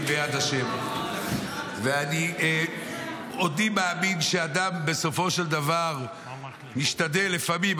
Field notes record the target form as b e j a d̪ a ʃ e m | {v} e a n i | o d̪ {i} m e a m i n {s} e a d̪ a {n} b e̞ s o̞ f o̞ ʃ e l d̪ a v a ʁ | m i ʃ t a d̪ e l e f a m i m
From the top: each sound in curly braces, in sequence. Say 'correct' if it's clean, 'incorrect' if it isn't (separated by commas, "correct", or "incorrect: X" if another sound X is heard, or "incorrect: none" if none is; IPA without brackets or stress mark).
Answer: correct, correct, incorrect: ʃ, incorrect: m